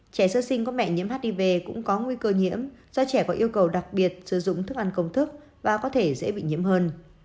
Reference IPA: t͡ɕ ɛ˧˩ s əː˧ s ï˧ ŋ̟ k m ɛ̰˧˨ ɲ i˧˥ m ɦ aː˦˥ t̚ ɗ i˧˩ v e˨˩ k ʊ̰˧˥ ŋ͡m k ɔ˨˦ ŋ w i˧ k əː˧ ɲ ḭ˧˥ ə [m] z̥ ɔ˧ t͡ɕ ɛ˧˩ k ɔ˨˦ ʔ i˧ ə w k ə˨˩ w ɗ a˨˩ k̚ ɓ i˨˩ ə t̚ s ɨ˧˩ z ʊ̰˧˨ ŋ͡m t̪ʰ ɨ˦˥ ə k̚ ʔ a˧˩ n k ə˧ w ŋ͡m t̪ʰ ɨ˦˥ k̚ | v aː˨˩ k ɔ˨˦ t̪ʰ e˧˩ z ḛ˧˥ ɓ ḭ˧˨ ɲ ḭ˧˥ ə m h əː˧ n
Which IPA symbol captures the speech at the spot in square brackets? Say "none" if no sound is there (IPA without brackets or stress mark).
m